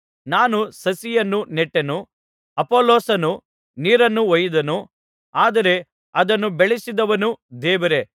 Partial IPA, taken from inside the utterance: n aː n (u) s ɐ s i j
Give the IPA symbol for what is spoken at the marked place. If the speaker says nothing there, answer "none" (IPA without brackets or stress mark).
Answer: u